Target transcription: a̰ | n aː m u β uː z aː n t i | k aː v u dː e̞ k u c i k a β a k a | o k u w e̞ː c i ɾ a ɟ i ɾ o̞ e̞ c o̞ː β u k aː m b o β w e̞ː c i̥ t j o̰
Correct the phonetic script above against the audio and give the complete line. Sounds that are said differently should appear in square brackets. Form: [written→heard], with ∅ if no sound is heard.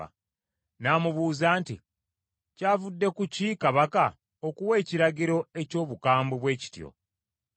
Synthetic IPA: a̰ | n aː m u β uː z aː n t i | [k→c] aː v u dː e̞ k u c i k a β a k a | o k u w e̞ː c i ɾ a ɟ i ɾ o̞ e̞ c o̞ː β u k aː m b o β w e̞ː c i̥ t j o̰